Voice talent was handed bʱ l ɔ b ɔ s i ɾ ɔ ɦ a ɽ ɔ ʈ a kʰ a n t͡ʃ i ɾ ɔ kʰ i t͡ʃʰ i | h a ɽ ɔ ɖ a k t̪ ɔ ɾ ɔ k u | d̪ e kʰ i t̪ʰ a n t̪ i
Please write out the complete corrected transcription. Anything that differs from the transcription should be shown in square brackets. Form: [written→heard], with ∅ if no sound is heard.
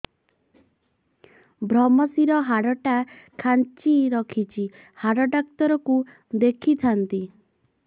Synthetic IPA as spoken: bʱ [l→ɾ] ɔ [b→m] ɔ s i ɾ ɔ ɦ a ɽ ɔ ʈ a kʰ a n t͡ʃ i ɾ ɔ kʰ i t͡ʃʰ i | h a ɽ ɔ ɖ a k t̪ ɔ ɾ ɔ k u | d̪ e kʰ i t̪ʰ a n t̪ i